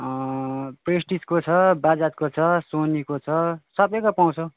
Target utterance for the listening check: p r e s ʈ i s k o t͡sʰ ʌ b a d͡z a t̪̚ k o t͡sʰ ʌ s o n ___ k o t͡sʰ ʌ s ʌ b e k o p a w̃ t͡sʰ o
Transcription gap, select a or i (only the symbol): i